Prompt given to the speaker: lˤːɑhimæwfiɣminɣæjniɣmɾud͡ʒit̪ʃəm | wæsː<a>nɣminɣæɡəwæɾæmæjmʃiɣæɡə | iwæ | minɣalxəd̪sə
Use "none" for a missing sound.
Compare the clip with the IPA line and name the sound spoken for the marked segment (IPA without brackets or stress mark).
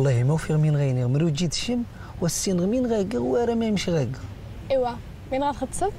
i